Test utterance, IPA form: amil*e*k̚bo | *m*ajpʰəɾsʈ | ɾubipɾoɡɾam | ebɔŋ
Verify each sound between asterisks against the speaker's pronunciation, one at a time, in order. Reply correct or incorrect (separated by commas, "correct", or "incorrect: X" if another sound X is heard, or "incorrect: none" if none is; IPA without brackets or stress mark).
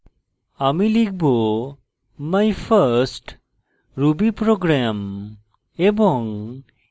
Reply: incorrect: i, correct